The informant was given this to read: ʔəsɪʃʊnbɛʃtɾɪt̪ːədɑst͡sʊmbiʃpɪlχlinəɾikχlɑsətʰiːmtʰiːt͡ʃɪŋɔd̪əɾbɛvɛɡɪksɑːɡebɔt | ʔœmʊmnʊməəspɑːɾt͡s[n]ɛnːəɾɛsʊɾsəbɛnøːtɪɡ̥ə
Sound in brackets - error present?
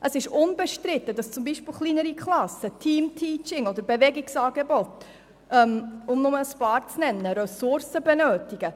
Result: no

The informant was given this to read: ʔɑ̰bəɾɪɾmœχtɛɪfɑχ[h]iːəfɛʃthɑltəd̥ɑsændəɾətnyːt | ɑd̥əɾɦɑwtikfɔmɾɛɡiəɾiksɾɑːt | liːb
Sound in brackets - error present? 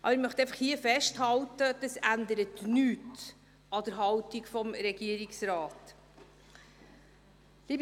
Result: no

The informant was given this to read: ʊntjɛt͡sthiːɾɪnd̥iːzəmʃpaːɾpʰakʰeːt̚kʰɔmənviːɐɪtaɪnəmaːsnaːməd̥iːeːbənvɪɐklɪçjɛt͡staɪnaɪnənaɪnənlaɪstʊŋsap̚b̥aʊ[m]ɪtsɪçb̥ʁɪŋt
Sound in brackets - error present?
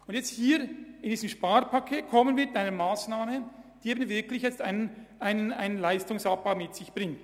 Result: no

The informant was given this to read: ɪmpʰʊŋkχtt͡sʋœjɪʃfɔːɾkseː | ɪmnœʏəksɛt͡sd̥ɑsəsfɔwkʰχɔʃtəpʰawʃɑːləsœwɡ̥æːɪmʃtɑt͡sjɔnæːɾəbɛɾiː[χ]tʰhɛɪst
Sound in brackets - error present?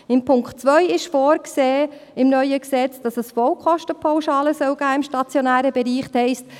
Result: no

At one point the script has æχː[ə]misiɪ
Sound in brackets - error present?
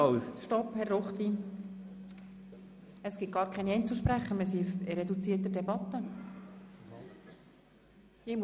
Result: no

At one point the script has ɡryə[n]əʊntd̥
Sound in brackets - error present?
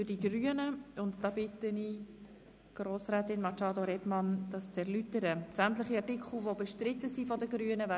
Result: no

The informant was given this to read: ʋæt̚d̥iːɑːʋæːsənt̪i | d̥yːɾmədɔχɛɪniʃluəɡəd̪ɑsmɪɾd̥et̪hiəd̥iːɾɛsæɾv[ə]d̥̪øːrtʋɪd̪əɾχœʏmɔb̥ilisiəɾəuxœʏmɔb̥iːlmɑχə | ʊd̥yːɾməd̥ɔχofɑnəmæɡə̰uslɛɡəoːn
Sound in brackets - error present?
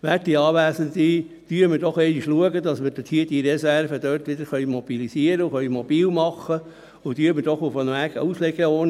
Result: no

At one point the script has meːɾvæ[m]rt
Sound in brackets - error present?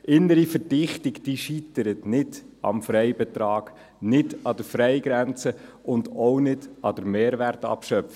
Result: yes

